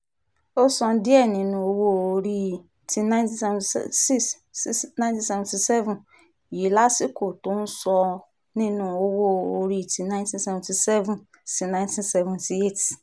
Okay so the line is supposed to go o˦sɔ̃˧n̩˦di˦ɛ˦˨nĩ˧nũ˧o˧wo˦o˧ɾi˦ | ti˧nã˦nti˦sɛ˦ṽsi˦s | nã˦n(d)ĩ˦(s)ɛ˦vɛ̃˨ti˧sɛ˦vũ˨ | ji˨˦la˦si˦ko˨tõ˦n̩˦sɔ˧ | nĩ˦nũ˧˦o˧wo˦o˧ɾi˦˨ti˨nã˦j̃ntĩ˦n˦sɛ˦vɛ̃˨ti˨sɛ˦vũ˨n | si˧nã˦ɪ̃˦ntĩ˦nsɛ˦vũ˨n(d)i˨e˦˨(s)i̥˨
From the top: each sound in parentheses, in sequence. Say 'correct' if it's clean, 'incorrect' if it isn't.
incorrect: t, correct, incorrect: t, incorrect: t

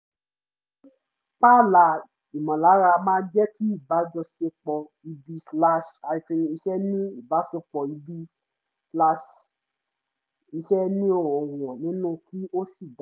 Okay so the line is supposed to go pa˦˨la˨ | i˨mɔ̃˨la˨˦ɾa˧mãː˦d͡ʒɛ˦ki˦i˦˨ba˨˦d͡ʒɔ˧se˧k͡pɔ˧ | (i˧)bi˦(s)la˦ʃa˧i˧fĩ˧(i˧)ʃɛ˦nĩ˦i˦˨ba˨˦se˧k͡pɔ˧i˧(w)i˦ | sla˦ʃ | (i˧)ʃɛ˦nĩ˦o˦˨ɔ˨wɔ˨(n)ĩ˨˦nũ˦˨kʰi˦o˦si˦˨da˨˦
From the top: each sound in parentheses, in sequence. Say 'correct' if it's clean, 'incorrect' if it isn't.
correct, correct, correct, incorrect: b, correct, correct

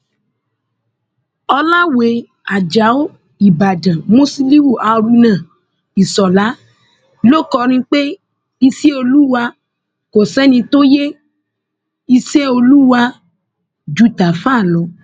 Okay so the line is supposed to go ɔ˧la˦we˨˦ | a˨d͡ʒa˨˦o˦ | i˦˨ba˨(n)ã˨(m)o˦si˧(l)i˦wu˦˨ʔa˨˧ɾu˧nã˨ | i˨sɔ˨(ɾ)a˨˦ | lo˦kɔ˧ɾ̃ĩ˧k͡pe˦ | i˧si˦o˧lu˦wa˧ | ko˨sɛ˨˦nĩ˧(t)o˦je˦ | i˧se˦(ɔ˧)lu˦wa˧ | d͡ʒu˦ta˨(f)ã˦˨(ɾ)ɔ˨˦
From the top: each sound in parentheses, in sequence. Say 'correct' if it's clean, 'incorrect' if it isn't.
incorrect: d, correct, correct, incorrect: l, correct, incorrect: o˧, correct, incorrect: l

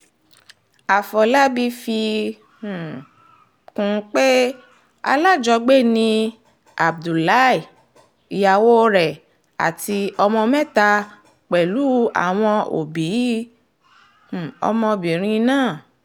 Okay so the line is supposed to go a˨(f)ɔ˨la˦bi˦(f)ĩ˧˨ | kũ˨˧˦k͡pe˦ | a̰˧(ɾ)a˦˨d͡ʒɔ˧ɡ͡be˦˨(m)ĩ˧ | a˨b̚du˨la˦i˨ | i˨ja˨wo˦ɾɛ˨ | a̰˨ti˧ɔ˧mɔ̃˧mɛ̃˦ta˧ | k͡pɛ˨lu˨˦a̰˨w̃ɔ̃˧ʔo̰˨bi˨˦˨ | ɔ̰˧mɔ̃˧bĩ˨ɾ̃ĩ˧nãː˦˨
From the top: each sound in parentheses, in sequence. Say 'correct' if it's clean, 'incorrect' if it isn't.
correct, correct, incorrect: l, incorrect: n

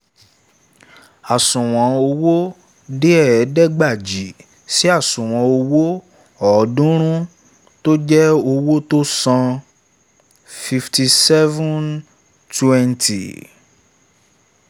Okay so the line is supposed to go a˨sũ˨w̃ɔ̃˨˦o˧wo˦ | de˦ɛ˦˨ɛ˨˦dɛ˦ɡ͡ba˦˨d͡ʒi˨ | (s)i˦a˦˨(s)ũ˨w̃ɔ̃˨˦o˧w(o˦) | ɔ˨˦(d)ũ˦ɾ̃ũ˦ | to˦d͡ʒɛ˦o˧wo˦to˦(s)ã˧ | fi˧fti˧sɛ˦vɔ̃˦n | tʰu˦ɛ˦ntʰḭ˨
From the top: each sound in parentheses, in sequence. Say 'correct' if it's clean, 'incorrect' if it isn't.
correct, correct, correct, correct, correct

